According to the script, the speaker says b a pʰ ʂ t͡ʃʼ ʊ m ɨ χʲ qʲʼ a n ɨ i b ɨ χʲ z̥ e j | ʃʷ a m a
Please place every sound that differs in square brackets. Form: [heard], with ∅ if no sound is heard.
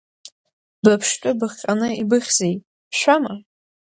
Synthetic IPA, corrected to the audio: b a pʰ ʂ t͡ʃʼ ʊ [b] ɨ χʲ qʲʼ a n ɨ i b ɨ χʲ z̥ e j | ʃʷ a m a